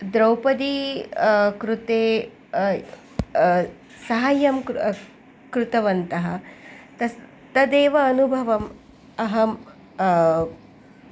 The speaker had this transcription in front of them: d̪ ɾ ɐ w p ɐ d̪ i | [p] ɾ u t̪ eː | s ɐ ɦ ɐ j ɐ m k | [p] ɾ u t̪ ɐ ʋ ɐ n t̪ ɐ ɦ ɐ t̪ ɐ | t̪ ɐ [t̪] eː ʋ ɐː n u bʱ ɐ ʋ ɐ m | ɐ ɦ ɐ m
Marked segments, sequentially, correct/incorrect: incorrect, incorrect, incorrect

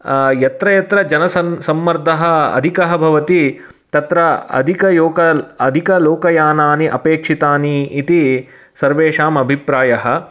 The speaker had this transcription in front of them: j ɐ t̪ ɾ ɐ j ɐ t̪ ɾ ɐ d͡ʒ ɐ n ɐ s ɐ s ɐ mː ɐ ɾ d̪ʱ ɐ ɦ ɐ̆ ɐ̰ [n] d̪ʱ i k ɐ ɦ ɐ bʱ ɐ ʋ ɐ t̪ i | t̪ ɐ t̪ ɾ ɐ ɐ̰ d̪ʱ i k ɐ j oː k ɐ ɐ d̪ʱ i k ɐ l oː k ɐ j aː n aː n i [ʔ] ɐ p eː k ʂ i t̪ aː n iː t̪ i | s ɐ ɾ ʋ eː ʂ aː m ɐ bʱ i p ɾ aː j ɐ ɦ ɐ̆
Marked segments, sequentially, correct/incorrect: incorrect, correct

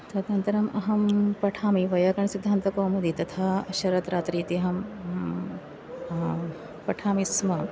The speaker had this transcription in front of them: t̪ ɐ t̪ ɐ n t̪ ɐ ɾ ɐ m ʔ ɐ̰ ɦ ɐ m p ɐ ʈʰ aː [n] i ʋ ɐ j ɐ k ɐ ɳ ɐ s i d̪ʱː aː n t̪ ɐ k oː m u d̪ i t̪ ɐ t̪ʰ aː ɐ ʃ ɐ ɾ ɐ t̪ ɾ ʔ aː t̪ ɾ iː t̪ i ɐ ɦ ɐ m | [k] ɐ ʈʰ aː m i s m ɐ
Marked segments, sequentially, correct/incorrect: incorrect, incorrect

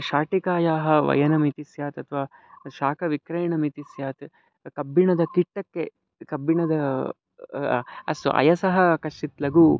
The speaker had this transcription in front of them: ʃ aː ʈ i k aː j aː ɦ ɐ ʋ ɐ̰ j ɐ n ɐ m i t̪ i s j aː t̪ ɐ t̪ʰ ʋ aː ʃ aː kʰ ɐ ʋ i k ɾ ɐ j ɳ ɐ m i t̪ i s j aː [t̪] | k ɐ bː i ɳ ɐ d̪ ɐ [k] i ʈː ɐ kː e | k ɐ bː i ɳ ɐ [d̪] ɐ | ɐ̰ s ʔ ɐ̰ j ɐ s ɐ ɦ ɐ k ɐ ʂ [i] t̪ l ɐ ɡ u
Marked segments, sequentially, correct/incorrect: correct, correct, correct, correct

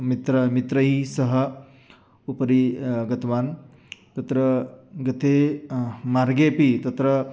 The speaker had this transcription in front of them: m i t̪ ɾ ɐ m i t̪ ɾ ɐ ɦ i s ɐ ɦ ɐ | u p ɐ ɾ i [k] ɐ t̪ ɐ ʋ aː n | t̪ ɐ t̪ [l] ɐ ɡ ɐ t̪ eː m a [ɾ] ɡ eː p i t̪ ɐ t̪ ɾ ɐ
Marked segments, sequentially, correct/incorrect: incorrect, incorrect, correct

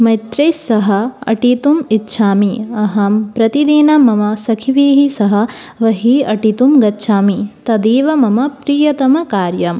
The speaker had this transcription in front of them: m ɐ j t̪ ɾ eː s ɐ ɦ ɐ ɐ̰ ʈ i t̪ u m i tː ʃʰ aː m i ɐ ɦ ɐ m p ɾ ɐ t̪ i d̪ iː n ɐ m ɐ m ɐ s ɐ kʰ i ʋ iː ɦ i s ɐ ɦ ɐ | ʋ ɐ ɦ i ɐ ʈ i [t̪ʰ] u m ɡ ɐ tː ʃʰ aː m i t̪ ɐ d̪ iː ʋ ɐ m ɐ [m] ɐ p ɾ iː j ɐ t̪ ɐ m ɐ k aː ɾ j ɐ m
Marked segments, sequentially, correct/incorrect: incorrect, correct

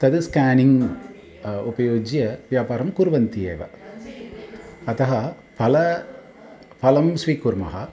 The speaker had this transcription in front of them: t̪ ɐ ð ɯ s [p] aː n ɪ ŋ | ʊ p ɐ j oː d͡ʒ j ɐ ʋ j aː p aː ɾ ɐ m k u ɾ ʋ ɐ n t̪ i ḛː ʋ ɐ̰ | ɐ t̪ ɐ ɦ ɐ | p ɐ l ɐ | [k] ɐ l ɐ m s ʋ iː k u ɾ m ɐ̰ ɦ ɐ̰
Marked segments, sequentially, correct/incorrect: incorrect, incorrect

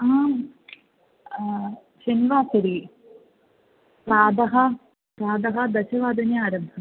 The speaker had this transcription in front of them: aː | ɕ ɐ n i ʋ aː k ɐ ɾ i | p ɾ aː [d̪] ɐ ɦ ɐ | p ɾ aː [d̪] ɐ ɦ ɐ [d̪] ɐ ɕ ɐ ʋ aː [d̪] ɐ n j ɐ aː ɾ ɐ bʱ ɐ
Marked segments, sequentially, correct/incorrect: correct, correct, correct, correct

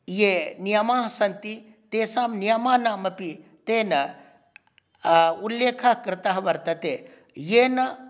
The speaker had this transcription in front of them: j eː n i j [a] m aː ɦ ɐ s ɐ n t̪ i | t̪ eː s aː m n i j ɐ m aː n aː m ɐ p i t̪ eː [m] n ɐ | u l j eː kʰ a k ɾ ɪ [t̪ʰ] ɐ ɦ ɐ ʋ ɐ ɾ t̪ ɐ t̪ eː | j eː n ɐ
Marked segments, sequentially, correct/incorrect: incorrect, incorrect, incorrect

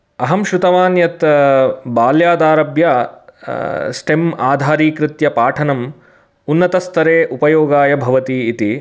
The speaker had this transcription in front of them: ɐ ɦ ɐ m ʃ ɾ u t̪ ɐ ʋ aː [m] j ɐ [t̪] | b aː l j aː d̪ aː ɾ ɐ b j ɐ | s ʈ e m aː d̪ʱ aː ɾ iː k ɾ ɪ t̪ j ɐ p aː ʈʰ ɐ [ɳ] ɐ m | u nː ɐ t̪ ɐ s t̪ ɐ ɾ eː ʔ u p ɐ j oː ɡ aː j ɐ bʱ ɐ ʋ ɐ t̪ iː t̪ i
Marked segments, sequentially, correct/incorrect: incorrect, correct, incorrect

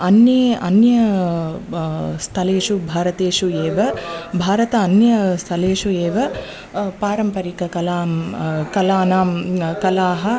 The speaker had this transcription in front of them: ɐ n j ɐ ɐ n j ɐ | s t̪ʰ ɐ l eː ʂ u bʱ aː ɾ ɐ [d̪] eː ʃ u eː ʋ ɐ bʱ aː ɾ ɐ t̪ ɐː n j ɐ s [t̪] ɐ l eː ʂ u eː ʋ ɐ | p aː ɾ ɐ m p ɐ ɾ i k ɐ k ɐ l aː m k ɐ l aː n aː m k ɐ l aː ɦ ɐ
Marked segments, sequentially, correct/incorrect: incorrect, incorrect

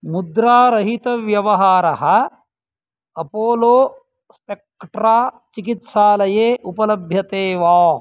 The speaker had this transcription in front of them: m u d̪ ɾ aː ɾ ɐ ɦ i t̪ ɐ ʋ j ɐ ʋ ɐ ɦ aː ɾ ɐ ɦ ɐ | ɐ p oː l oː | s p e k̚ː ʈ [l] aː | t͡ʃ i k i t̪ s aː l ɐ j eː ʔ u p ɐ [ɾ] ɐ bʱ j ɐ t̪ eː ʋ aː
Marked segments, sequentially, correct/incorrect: incorrect, incorrect

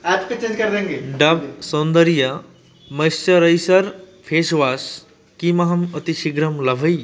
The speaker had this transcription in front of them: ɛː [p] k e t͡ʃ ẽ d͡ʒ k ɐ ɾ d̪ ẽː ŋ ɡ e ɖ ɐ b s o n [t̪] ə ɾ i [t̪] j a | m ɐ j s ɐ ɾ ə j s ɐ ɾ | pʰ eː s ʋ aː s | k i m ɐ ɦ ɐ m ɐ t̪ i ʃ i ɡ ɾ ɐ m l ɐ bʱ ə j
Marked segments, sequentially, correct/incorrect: correct, incorrect, incorrect

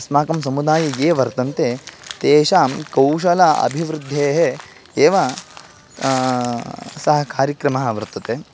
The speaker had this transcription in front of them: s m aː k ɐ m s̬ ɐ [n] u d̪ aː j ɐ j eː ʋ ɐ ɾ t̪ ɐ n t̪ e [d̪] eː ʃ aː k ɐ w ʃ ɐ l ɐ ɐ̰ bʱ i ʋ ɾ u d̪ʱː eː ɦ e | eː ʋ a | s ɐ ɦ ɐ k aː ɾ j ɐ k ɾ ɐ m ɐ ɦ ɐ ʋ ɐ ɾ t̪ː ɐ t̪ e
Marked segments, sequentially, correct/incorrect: incorrect, incorrect

